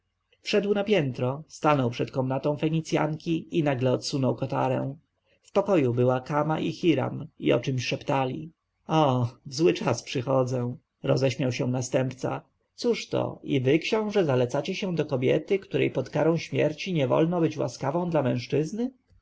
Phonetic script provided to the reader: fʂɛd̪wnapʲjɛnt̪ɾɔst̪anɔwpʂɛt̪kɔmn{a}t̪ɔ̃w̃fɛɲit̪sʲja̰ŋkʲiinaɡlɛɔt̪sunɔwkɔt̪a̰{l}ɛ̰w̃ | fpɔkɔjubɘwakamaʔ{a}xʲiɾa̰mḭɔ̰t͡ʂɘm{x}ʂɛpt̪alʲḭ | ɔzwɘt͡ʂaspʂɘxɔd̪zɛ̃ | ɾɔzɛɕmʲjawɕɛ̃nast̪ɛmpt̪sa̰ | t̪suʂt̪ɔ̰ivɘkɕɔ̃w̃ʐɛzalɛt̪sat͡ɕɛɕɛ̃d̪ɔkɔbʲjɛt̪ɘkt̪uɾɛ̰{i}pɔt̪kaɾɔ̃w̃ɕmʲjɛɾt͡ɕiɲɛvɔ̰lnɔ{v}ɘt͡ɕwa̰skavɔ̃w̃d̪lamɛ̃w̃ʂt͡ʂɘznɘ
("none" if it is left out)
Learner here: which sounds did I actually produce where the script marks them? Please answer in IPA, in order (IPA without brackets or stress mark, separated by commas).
a, ɾ, i, ɕ, j, b